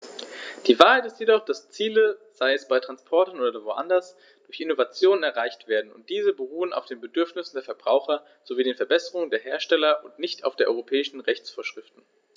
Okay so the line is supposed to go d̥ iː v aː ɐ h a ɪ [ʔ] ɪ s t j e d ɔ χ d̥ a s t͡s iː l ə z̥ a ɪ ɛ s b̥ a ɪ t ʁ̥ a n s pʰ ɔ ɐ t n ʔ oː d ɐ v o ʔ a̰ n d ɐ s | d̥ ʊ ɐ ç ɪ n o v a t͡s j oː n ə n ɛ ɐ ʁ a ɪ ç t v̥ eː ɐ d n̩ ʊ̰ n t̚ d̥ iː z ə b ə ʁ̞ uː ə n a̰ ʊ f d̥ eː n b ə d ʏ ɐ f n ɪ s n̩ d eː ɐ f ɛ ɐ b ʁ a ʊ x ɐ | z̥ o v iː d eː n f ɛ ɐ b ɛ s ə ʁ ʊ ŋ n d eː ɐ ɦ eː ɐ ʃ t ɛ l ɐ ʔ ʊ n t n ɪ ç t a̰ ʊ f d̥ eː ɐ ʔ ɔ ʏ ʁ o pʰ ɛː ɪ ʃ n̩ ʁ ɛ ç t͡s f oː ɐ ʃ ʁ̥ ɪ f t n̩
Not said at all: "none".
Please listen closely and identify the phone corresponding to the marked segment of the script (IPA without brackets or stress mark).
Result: t